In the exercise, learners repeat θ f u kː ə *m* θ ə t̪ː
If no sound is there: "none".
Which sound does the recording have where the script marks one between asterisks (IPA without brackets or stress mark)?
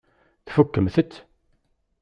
m